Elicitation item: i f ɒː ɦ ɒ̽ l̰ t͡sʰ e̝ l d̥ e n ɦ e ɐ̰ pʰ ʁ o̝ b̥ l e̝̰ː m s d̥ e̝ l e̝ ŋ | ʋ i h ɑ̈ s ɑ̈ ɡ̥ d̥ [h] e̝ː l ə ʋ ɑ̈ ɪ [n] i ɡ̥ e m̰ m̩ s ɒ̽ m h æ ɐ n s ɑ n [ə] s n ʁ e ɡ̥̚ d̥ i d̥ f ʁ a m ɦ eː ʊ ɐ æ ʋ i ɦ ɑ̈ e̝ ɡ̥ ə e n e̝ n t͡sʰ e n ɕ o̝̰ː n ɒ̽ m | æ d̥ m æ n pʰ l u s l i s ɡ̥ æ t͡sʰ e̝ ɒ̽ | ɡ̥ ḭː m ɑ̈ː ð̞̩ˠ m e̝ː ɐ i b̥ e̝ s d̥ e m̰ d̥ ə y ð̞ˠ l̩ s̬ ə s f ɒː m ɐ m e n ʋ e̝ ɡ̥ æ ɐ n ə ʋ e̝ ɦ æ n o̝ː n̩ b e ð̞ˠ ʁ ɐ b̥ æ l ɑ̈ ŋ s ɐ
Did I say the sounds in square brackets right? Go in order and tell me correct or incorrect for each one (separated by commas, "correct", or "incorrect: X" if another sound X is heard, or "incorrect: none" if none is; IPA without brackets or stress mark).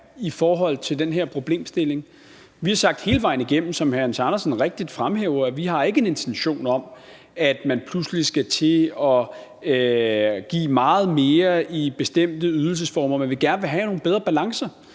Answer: correct, correct, incorrect: ɐ